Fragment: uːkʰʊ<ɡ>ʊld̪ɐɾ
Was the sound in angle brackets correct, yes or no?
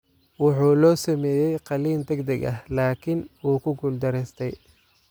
yes